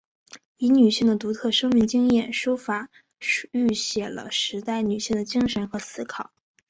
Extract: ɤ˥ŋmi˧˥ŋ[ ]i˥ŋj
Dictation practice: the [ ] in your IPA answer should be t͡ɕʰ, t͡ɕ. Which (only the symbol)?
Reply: t͡ɕ